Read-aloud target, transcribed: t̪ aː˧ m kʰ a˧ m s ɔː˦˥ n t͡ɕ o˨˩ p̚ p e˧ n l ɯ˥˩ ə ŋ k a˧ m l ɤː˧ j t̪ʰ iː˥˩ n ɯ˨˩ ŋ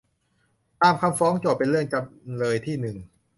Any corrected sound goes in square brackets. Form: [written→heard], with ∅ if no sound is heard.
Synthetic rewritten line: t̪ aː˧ m kʰ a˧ m [s→f] ɔː˦˥ [n→ŋ] t͡ɕ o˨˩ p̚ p e˧ n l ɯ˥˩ ə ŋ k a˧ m l ɤː˧ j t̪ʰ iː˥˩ n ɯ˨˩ ŋ